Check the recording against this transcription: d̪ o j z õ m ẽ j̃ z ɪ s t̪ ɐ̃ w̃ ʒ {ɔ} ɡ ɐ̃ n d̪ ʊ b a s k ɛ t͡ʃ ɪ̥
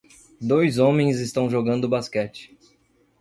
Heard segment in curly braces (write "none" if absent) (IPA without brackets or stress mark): o